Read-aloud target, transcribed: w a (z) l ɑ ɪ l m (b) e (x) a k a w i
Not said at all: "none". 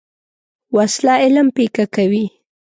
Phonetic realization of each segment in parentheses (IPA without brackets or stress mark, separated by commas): s, p, k